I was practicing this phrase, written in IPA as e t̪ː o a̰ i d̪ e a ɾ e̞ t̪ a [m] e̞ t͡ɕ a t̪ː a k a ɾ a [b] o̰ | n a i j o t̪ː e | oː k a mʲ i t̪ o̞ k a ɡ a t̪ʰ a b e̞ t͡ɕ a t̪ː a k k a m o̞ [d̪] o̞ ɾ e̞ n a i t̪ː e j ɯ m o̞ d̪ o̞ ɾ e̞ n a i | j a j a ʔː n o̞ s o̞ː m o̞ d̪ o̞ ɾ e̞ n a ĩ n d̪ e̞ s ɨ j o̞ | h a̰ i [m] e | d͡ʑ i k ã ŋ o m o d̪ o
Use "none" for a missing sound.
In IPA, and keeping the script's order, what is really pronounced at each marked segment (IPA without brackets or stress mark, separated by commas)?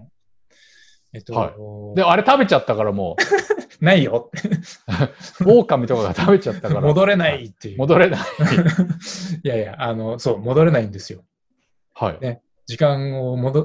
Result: b, m, d̪, n